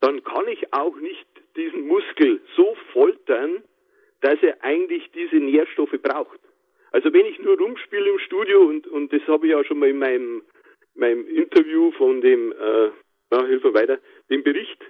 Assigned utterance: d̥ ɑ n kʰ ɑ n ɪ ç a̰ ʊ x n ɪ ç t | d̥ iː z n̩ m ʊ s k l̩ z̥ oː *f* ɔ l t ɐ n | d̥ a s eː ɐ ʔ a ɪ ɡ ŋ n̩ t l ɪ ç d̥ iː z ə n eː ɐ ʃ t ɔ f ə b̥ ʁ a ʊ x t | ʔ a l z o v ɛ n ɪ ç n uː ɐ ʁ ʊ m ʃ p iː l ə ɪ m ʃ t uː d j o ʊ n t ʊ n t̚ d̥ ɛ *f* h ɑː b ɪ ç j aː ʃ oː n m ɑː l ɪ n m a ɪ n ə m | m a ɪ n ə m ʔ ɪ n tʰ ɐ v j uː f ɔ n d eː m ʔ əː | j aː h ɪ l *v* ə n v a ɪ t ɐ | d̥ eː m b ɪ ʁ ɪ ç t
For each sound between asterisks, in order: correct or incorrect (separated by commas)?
correct, incorrect, incorrect